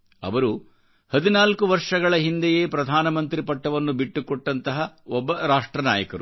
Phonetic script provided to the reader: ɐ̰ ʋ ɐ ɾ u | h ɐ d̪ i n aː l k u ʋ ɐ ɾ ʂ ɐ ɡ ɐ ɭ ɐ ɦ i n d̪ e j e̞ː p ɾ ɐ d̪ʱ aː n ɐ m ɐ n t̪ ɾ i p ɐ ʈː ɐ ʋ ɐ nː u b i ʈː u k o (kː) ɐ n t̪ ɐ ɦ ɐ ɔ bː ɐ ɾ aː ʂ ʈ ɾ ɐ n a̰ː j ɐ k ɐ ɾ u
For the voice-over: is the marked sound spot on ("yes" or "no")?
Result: no